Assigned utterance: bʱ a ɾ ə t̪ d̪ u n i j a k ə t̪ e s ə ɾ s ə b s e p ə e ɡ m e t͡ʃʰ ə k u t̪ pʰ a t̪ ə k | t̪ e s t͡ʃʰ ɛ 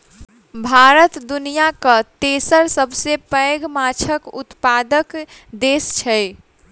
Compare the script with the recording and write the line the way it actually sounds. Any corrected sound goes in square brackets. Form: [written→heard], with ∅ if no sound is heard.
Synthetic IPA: bʱ a ɾ ə t̪ d̪ u n i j a k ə t̪ e s ə ɾ s ə b s e p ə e ɡ m [e→a] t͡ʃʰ ə k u t̪ [pʰ→p] a [t̪→d̪] ə k | [t̪→d̪] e s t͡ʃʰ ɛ